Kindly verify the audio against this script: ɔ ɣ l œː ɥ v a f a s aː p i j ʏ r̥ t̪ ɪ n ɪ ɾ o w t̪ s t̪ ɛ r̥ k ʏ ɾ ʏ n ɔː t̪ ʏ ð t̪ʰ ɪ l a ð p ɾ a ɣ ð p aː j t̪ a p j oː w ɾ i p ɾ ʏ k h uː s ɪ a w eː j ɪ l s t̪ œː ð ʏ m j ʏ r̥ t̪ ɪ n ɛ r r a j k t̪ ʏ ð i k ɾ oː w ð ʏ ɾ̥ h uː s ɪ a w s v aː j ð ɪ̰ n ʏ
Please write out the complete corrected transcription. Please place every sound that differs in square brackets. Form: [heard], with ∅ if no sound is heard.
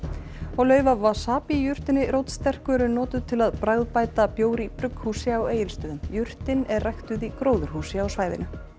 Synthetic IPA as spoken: ɔ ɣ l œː ɥ v a [v] a s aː p i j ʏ r̥ t̪ ɪ n ɪ ɾ o w t̪ s t̪ ɛ r̥ k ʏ ɾ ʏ n ɔː t̪ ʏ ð t̪ʰ ɪ l a ð p ɾ a ɣ ð p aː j t̪ a p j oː w ɾ i p ɾ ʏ k h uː s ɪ a w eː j ɪ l s t̪ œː ð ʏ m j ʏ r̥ t̪ ɪ n ɛ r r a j [x] t̪ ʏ ð i k ɾ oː w ð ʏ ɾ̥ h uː s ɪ a w s v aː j ð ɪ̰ n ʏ

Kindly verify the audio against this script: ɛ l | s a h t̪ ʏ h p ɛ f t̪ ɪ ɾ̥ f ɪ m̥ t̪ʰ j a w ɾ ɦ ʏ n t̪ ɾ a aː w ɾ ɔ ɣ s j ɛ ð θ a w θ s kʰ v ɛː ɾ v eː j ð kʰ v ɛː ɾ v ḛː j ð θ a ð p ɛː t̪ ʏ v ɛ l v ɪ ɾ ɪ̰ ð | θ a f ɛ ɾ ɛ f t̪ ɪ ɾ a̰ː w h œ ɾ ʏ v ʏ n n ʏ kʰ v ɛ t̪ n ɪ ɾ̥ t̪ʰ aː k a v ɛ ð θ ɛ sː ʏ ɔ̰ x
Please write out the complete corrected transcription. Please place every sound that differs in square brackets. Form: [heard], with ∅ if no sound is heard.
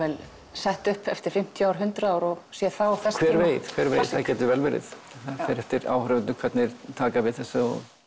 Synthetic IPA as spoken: ɛ l | s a h t̪ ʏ h p ɛ f t̪ ɪ ɾ̥ f ɪ m̥ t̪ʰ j a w ɾ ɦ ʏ n t̪ ɾ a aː w ɾ ɔ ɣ s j ɛ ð θ a w θ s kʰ v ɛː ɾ v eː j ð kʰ v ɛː ɾ v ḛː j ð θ a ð [c] ɛː t̪ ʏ v ɛ l v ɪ ɾ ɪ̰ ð | θ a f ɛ ɾ ɛ f t̪ ɪ ɾ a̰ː w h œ ɾ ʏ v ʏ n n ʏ kʰ v ɛ t̪ n ɪ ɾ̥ t̪ʰ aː k a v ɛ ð θ ɛ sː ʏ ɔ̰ [ɣ]

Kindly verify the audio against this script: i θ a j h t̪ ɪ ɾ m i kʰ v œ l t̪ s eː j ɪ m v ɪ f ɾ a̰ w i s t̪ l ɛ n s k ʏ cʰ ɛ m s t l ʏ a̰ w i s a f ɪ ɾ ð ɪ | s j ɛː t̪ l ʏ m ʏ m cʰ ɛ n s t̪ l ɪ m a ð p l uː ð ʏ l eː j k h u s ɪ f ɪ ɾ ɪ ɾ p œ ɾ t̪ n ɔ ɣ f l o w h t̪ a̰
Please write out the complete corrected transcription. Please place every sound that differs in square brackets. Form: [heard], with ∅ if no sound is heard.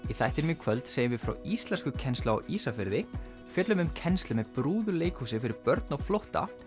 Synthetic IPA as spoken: i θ a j h t̪ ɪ ɾ m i kʰ v œ l t̪ s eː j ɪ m v ɪ f ɾ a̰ w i s t̪ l ɛ n s k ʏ cʰ ɛ [n] s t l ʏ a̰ w i s a f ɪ ɾ ð ɪ | [f] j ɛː t̪ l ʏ m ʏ m cʰ ɛ n s t̪ l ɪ m [ɛ] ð p [ɾ] uː ð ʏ l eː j k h u s ɪ f ɪ ɾ ɪ ɾ p œ ɾ t̪ n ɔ ɣ f l o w h t̪ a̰

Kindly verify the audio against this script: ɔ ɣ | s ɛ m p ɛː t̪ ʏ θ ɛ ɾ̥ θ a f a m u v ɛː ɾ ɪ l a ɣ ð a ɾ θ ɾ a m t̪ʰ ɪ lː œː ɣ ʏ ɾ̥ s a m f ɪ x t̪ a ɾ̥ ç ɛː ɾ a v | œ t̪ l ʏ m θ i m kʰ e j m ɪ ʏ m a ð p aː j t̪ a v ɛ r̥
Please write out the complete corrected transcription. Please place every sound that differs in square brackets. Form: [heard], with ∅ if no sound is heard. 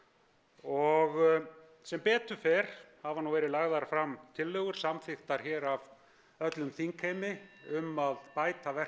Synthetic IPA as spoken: ɔ ɣ | s ɛ m p ɛː t̪ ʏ [f] ɛ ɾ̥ [h] a [v] a [n] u v ɛː ɾ ɪ l a ɣ ð a ɾ [f] ɾ a m t̪ʰ ɪ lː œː ɣ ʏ ɾ̥ s a m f ɪ x t̪ a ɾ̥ ç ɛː ɾ a v | œ t̪ l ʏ m θ i [ŋ] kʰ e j m ɪ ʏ m a ð p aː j t̪ a v ɛ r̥

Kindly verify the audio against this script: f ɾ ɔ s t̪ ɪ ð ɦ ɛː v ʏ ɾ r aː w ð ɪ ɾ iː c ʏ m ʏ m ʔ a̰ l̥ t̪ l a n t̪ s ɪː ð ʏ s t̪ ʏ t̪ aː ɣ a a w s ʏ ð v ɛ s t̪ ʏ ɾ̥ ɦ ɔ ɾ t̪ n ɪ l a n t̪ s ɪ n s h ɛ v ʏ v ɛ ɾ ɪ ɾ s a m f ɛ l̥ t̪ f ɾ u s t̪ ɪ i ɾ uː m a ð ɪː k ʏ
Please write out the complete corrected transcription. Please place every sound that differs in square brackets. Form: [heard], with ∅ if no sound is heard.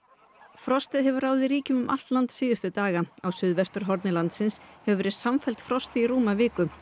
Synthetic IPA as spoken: f ɾ ɔ s t̪ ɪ ð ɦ [ɛ] v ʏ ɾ r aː w ð ɪ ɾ iː c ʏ m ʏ m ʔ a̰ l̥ t̪ l a n t̪ s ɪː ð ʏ s t̪ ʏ t̪ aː ɣ a a w s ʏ ð v ɛ s t̪ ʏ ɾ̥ ɦ ɔ ɾ t̪ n ɪ l a n t̪ s ɪ n s h ɛ v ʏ v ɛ ɾ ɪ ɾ s a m f ɛ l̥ t̪ f ɾ [ɔ] s t̪ ɪ i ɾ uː m a [v] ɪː k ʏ

